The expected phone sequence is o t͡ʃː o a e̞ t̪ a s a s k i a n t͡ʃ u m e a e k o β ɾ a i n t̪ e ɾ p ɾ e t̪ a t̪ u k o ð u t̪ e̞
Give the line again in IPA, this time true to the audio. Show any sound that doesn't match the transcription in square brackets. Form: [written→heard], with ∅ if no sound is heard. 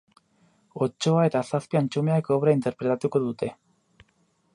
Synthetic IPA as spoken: o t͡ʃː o a e̞ t̪ a s a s [k→p] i a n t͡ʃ u m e a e k o β ɾ a i n t̪ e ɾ p ɾ e t̪ a t̪ u k o ð u t̪ e̞